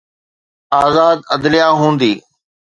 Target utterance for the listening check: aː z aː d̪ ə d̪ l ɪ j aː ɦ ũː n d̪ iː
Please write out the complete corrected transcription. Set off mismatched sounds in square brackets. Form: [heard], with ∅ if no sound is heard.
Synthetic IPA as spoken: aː z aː d̪ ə d̪ l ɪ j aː ɦ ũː n d̪ iː